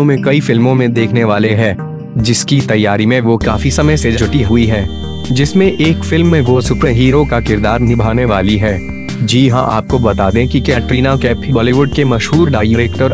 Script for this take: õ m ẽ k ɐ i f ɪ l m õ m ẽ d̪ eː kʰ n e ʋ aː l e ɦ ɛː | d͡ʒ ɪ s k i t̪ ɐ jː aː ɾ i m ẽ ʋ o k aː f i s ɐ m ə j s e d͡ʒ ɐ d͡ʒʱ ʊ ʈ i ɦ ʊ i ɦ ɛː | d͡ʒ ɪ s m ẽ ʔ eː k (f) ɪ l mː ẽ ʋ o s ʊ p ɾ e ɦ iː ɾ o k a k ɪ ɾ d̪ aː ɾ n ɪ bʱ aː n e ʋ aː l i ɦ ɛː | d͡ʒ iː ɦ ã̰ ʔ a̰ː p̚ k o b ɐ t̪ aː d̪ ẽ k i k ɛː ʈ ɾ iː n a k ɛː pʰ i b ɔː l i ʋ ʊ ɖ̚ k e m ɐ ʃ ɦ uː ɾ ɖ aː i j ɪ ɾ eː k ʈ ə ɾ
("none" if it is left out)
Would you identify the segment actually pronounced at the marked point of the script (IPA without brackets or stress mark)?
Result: f